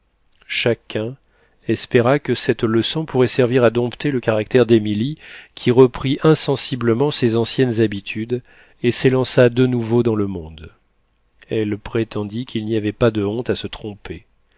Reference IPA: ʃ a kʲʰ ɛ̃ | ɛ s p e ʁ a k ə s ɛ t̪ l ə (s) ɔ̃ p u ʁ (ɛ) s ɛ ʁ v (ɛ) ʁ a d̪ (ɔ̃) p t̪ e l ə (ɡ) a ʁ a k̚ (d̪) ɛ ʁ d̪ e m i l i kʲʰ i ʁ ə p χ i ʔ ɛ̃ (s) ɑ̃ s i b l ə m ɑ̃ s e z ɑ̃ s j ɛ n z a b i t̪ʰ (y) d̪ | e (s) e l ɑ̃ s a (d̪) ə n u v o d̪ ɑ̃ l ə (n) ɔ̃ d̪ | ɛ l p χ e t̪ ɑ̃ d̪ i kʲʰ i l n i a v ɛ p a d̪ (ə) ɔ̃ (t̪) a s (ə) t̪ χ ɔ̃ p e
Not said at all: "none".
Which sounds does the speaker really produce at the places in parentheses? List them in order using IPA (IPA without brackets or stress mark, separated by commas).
s, ɛ, i, ɔ̃, k, t̪, s, y, s, d̪, m, ə, t̪, ə